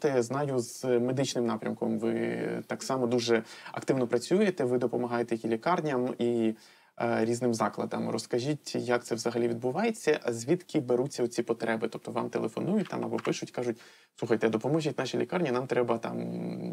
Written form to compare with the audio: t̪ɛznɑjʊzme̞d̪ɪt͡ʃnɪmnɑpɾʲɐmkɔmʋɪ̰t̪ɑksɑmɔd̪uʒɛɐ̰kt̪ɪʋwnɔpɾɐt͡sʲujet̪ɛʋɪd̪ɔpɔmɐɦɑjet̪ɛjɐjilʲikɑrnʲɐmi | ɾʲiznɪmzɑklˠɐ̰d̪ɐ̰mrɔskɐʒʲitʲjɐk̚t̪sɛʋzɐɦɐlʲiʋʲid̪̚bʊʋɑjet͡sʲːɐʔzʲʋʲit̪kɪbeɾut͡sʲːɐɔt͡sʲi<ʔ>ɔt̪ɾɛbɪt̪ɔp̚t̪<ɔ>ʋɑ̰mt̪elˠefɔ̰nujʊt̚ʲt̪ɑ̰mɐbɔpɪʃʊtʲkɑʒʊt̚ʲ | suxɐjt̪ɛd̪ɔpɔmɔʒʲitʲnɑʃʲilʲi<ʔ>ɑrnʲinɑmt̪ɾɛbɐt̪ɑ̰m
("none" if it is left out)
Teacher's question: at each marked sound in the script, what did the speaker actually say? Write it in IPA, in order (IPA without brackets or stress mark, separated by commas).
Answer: p, ɔ, k